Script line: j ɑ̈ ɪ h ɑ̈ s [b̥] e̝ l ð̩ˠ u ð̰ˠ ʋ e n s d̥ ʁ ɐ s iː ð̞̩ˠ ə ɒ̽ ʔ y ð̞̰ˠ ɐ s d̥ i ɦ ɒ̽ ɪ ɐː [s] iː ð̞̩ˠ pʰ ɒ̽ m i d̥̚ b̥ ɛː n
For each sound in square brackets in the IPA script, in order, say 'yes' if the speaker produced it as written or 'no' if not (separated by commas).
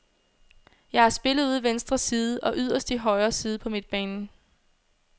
yes, yes